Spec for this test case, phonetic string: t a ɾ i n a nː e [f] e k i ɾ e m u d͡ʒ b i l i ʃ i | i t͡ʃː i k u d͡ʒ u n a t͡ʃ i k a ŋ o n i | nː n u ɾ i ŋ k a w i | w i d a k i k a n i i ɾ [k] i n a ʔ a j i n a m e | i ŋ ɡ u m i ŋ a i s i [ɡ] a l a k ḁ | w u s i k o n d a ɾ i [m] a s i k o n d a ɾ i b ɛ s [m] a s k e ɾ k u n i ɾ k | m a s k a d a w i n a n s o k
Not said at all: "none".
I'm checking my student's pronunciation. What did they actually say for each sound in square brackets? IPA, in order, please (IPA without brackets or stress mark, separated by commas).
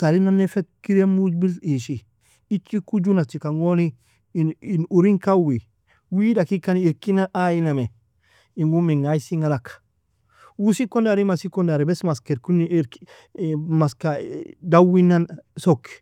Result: f, k, ŋ, m, m